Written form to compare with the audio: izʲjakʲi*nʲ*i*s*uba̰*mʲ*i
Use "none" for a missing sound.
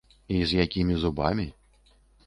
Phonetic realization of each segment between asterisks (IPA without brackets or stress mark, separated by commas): mʲ, z, mʲ